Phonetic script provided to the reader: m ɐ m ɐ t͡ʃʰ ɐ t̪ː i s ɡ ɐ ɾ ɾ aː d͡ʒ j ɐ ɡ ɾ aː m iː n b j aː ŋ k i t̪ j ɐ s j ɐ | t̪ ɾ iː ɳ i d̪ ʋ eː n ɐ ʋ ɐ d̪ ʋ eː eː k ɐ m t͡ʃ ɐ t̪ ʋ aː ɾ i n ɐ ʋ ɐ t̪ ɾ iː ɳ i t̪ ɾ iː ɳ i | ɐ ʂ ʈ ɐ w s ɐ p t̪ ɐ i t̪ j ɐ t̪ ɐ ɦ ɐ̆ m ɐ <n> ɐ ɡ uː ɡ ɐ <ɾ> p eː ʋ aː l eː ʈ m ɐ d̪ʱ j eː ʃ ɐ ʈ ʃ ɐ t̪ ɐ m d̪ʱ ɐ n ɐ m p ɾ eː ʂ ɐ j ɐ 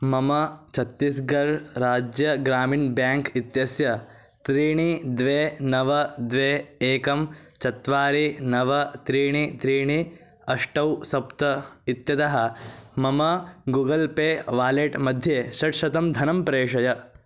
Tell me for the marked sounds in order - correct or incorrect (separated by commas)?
incorrect, incorrect